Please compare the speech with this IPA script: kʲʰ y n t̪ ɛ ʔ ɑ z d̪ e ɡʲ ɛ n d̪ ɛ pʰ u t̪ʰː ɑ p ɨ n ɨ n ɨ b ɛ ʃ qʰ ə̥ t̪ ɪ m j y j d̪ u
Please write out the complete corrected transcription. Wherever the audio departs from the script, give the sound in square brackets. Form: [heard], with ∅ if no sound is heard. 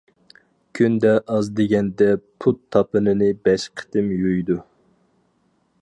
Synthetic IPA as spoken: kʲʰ y n [d̪] ɛ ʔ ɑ z d̪ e ɡʲ ɛ n d̪ ɛ pʰ u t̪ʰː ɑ p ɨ n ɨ n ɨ b ɛ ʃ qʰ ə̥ t̪ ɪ m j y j d̪ u